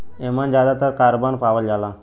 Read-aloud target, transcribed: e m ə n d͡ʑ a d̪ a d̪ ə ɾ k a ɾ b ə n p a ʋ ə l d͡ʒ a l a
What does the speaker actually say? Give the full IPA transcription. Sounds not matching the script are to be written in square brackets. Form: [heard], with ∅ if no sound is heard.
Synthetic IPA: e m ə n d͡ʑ a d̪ a [t̪] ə ɾ k a ɾ b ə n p a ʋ ə l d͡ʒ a l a